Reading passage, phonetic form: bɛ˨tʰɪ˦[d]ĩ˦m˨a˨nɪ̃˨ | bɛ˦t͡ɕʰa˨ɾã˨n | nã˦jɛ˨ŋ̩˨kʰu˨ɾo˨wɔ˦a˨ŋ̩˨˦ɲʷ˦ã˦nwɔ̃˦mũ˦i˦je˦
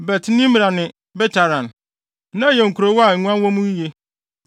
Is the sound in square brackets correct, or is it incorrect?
incorrect